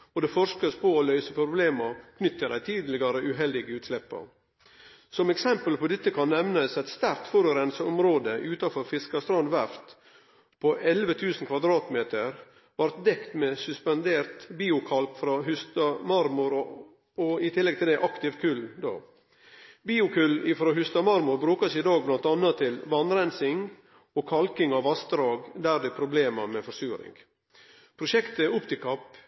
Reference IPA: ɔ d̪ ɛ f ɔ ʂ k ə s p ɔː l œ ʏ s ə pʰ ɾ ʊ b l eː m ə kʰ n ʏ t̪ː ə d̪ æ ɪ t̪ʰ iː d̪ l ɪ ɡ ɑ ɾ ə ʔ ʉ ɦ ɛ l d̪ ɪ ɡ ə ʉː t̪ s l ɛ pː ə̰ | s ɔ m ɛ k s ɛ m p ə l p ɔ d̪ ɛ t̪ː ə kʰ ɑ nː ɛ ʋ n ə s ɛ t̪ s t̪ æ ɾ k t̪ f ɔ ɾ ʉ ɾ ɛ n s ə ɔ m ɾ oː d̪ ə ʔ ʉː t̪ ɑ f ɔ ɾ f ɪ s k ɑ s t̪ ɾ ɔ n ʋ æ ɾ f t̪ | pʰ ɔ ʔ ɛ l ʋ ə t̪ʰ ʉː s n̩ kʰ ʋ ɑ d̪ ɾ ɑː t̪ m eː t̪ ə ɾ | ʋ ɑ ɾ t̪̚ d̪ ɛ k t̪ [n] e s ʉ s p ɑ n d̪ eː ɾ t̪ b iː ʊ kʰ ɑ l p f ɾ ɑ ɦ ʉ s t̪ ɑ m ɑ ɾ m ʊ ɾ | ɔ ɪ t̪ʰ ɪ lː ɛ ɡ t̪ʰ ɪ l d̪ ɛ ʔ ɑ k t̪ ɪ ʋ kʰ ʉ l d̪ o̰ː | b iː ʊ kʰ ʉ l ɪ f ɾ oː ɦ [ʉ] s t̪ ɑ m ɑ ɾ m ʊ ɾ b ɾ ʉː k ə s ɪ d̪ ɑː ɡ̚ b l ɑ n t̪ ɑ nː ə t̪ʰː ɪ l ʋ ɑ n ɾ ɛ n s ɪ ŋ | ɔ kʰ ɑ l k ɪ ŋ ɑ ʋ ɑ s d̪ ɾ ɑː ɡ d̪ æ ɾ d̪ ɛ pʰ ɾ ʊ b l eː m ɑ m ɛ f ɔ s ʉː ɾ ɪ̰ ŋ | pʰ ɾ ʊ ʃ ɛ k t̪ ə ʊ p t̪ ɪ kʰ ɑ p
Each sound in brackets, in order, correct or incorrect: incorrect: m, correct

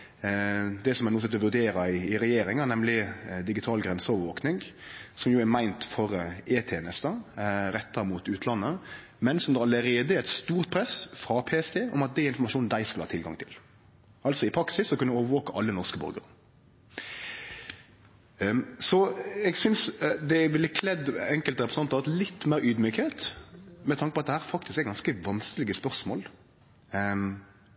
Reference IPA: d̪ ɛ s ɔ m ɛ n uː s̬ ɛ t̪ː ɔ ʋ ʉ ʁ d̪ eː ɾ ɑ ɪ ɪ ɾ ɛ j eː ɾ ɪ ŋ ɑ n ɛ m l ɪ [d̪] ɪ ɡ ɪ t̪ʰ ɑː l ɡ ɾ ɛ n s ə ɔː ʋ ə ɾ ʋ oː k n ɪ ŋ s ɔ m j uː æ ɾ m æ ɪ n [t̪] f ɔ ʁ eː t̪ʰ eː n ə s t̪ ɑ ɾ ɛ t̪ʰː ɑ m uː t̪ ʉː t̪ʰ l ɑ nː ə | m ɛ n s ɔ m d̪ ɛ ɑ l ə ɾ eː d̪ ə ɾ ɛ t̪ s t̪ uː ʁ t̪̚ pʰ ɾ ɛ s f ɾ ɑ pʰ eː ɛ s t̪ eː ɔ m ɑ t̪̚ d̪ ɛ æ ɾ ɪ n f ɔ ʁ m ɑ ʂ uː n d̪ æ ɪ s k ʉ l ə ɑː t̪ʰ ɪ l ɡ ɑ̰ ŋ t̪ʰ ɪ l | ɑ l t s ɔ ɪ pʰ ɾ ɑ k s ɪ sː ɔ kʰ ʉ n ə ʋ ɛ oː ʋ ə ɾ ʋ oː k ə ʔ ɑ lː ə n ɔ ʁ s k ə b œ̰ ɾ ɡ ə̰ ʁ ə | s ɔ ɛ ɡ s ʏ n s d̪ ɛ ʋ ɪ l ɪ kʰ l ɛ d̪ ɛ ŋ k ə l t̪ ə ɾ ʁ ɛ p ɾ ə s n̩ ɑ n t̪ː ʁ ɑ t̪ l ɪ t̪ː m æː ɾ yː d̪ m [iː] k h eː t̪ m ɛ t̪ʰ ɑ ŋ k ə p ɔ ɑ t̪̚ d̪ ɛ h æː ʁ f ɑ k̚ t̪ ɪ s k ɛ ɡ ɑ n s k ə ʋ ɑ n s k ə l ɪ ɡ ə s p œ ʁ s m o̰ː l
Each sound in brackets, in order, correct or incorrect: correct, correct, incorrect: yː

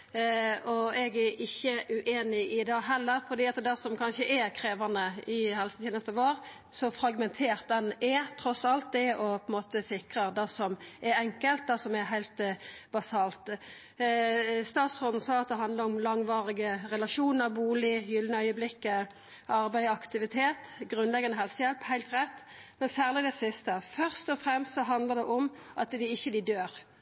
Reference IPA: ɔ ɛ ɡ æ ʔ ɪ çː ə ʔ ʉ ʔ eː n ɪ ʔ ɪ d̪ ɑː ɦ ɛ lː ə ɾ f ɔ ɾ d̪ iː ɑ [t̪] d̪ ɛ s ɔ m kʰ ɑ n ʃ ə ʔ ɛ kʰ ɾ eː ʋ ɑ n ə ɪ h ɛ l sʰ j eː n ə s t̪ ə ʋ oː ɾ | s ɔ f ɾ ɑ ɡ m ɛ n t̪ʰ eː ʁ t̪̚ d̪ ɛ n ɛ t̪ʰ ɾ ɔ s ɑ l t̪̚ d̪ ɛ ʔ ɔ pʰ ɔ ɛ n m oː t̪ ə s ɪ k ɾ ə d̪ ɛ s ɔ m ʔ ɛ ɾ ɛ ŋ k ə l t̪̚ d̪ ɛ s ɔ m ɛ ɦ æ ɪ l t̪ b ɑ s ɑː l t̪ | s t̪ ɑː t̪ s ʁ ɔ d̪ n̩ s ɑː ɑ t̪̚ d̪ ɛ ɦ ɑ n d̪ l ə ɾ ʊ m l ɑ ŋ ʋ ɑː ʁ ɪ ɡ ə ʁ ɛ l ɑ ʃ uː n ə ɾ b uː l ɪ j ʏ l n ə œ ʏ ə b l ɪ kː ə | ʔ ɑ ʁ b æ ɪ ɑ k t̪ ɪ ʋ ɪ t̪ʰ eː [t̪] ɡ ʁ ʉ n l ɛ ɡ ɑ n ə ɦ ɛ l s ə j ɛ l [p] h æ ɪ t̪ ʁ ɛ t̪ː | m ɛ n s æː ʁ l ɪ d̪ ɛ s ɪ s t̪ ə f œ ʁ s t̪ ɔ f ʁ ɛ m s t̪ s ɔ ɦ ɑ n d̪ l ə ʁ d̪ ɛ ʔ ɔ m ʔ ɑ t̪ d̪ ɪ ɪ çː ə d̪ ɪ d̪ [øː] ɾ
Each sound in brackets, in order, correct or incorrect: correct, correct, correct, correct

